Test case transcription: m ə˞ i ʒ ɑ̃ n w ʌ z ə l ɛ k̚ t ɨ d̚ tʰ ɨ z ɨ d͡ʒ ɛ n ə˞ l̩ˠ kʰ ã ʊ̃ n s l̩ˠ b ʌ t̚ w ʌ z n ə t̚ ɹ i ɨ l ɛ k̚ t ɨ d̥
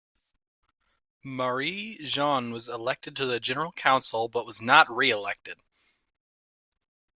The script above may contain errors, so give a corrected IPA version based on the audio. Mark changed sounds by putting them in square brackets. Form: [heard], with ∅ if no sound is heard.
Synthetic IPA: m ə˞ i ʒ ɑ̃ n w ʌ z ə l ɛ k̚ t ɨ d̚ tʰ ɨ [ð] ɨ d͡ʒ ɛ n ə˞ l̩ˠ kʰ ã ʊ̃ n s l̩ˠ b ʌ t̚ w ʌ z n ə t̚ ɹ i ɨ l ɛ k̚ t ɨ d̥